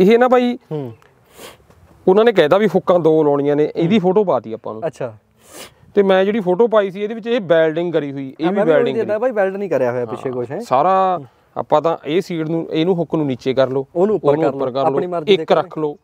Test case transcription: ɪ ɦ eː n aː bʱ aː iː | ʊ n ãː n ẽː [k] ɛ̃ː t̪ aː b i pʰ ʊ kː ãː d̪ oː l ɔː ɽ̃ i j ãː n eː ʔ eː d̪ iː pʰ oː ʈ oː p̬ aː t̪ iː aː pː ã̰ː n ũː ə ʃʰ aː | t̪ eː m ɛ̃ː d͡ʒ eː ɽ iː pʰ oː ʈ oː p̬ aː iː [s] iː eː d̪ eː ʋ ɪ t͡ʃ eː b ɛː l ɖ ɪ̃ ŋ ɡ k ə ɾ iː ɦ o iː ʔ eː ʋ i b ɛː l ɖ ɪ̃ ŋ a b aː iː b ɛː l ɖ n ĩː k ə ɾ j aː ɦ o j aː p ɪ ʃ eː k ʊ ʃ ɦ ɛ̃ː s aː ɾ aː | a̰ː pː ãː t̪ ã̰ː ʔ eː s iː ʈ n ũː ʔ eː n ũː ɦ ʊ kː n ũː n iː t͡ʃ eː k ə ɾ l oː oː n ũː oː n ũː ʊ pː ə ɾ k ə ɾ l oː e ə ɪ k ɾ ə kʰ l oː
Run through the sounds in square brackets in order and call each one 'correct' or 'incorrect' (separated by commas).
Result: correct, correct